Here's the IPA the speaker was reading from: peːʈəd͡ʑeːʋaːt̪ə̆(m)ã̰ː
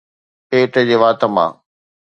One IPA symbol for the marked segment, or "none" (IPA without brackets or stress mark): m